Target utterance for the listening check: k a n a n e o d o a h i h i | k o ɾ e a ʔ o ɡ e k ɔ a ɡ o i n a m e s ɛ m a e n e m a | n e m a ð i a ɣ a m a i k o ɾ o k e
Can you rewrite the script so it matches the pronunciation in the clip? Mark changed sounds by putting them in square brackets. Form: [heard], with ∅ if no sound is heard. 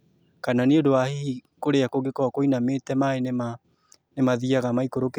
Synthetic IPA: k a n a n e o d o a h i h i | k o ɾ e a [k] o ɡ e k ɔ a [k] o i n a m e [t] ɛ m a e n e m a | n e m a ð i a ɣ a m a i k o ɾ o k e